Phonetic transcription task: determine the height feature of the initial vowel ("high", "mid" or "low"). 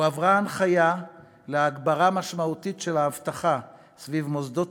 low